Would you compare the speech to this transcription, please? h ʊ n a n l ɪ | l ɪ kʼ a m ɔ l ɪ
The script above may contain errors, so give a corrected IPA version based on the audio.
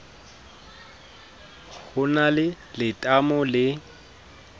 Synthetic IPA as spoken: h ʊ n a l ɪ | l ɪ tʼ a m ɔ l ɪ